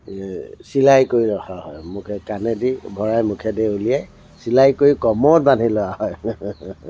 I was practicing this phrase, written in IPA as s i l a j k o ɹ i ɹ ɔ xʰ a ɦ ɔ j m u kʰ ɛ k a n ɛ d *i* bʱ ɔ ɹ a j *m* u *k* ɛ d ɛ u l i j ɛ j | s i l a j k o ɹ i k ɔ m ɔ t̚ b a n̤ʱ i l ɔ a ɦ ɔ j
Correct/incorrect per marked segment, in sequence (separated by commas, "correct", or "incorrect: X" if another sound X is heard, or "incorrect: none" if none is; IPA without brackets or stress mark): correct, correct, incorrect: kʰ